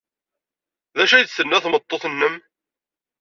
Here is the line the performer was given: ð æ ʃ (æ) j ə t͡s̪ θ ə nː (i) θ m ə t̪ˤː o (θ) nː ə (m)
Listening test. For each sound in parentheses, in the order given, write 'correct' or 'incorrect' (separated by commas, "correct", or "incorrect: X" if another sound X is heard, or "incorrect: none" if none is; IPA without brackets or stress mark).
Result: correct, incorrect: æ, correct, correct